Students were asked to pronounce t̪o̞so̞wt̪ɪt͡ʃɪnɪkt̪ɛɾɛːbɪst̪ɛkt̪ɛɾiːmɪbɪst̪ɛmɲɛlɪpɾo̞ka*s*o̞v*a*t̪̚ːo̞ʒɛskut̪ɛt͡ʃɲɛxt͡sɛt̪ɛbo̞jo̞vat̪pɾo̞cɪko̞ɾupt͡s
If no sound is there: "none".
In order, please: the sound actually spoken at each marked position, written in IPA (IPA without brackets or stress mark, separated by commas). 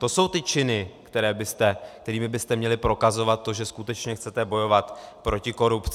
z, a